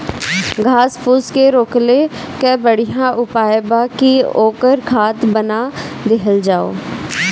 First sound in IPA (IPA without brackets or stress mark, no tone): ɡʱ